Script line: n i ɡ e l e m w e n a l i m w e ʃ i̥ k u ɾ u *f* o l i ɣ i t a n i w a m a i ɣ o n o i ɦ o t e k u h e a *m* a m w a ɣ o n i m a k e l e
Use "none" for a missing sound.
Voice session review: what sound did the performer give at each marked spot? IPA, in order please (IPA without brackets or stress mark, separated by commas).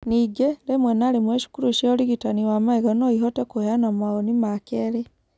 ʃ, n